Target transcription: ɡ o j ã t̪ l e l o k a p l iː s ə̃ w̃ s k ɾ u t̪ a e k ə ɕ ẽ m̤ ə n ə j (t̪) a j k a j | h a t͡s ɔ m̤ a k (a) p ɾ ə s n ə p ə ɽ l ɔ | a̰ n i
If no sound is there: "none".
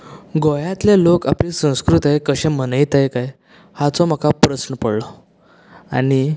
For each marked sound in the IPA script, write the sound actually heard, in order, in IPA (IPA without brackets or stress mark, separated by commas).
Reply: t̪, a